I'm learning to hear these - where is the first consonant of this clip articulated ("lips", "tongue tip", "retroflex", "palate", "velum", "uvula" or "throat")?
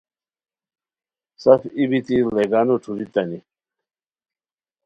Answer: tongue tip